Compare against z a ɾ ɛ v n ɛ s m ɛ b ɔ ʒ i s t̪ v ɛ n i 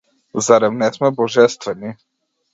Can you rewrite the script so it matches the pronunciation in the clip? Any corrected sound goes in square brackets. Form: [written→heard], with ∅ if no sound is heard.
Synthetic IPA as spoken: z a ɾ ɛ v n ɛ s m ɛ b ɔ ʒ [i→ɛ] s t̪ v ɛ n i